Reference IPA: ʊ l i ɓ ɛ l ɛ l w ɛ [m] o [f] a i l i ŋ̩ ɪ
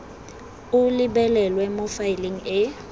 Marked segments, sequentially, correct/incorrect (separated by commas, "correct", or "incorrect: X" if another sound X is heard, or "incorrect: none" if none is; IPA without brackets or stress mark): correct, correct